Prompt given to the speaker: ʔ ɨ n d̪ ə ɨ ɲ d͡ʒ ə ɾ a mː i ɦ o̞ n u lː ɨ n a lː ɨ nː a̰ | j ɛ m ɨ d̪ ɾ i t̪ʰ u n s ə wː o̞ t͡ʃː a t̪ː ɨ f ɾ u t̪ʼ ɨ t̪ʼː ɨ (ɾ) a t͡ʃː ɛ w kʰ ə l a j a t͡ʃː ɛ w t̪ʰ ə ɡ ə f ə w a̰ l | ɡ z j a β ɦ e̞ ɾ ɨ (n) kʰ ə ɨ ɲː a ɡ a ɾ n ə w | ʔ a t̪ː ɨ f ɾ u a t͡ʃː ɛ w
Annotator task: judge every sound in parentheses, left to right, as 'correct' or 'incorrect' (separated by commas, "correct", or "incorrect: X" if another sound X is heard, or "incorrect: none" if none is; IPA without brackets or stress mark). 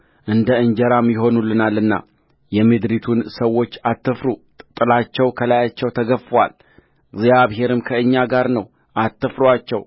incorrect: l, incorrect: m